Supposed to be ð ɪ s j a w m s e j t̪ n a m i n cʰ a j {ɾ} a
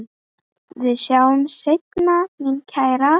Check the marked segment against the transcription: correct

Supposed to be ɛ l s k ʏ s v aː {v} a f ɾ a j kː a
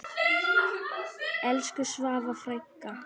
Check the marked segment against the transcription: correct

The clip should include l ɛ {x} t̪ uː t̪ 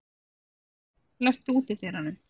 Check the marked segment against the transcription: incorrect: s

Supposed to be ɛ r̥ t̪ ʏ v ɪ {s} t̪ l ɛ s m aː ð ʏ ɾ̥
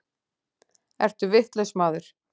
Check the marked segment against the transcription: incorrect: h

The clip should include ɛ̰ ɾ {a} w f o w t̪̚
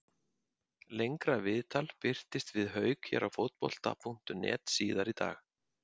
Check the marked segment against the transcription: correct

